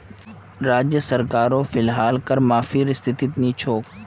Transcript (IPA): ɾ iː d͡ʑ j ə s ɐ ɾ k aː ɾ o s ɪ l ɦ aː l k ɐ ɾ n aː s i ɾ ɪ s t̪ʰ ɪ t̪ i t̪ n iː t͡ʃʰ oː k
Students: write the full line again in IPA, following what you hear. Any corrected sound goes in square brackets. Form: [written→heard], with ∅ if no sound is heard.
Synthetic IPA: ɾ [iː→aː] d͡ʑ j ə s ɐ ɾ k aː ɾ o [s→f] ɪ l ɦ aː l k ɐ ɾ [n→m] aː [s→f] i ɾ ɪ s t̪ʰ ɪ t̪ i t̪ n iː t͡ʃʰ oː k